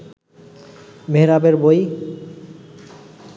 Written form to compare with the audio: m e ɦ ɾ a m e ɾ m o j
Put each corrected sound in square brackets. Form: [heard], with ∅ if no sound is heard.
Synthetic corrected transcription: m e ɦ ɾ a [b] e ɾ [b] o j